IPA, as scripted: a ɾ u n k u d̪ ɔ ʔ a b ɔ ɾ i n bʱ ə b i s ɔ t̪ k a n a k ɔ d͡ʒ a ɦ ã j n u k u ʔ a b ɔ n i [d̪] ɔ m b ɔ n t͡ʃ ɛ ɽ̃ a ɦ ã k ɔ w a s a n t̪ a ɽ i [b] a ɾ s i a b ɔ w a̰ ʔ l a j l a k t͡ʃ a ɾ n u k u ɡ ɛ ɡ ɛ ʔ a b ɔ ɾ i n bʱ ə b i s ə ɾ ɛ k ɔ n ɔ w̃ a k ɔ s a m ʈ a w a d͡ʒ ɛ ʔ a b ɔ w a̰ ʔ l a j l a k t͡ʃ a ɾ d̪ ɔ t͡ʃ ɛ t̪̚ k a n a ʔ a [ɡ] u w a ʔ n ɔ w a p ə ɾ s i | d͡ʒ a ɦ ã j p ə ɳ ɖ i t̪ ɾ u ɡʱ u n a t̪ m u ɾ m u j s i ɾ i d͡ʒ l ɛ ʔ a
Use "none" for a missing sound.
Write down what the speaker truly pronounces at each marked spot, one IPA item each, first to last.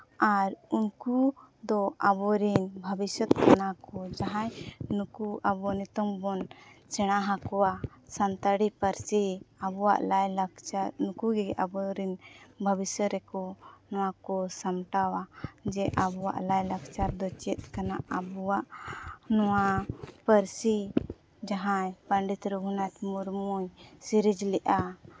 t̪, p, b

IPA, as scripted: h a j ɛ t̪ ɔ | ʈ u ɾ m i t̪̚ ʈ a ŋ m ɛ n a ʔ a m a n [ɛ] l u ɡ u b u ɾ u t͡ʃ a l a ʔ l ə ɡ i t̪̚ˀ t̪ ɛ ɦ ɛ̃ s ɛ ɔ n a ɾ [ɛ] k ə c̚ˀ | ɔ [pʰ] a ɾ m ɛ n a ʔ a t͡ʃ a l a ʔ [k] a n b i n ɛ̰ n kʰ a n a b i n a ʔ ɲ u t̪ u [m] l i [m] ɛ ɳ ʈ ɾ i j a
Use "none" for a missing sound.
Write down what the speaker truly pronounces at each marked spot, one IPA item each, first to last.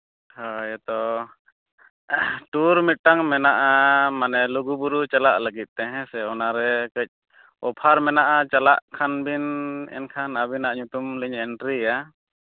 ɛ, ɛ, pʰ, kʰ, m, ɲ

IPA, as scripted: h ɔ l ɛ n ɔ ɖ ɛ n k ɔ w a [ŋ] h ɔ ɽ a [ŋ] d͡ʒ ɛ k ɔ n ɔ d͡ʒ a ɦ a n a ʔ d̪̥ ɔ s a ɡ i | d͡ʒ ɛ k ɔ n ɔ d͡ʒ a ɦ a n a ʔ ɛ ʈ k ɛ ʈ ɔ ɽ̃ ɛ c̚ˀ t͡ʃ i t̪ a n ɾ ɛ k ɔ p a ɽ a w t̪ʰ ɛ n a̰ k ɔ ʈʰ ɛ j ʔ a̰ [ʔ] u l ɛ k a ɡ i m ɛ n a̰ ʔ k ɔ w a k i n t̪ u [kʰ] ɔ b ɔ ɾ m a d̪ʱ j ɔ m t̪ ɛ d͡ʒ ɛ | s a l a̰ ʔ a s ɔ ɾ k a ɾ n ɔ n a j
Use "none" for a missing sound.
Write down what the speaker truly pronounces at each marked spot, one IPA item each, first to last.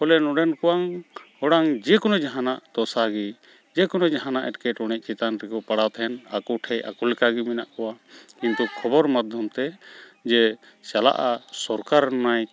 ŋ, ŋ, k, kʰ

